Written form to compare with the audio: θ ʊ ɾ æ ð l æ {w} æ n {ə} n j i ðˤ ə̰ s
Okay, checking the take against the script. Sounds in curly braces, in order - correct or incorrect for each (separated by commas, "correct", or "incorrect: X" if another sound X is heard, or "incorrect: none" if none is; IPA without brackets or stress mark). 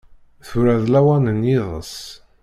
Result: correct, correct